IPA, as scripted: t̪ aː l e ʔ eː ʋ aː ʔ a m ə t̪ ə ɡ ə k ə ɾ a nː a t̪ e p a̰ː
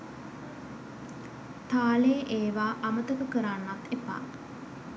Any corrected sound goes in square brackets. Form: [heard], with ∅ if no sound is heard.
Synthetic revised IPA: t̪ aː l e ʔ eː ʋ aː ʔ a m ə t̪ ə [k] ə k ə ɾ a nː a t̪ e p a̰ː